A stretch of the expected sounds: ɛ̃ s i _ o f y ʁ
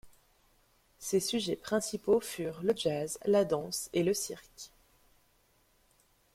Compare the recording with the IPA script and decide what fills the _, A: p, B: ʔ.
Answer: A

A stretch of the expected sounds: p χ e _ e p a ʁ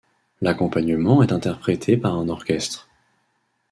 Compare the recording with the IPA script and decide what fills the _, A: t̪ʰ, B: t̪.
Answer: A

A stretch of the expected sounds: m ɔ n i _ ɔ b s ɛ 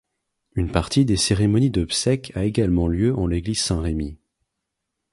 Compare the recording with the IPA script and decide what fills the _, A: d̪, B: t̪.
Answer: A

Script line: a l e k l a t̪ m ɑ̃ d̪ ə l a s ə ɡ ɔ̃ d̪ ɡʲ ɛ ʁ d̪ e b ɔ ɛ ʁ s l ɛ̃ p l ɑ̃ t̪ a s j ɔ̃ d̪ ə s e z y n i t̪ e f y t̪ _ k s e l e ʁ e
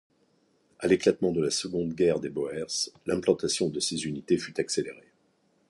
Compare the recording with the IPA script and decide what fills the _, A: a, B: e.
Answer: A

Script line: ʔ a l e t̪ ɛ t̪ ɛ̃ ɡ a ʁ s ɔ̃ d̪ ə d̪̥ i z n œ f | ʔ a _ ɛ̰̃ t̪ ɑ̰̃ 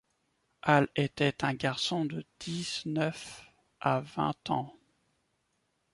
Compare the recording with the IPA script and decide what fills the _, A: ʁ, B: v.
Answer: B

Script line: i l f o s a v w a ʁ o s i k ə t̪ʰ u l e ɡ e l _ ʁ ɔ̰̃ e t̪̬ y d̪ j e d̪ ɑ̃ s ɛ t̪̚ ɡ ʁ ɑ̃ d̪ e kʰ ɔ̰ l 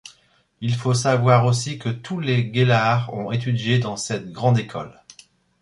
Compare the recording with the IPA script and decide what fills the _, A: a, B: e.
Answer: A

